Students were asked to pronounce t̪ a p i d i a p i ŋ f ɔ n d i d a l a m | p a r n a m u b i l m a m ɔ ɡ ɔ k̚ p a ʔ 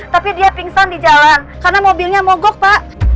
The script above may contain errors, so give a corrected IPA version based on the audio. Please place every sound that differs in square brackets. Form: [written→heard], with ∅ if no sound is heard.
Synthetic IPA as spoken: t̪ a p i d i a p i ŋ [f→s] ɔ n d i [d→d͡ʒ] a l a [m→n] | [p→k] a r n a m [u→o] b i l [m→ɲ] a m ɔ ɡ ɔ k̚ p a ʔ